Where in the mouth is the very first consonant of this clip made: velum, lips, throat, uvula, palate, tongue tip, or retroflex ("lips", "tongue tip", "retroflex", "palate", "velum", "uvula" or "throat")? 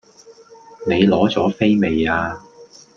tongue tip